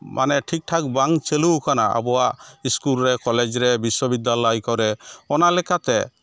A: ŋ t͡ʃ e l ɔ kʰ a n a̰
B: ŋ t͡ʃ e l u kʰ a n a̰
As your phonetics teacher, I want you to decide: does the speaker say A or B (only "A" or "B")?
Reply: B